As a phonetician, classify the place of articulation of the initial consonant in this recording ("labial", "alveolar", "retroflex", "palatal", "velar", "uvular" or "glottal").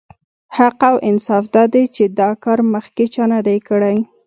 glottal